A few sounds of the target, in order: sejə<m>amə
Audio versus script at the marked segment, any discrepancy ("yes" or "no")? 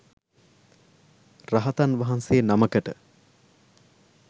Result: yes